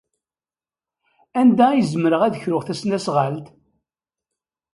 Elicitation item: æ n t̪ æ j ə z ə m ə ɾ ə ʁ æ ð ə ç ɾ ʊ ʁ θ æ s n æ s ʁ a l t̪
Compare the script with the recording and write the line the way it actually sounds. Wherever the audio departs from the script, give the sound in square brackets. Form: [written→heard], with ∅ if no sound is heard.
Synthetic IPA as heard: æ n [t̪→d̪] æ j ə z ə m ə ɾ ə ʁ æ ð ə ç ɾ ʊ ʁ θ æ s n æ s ʁ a l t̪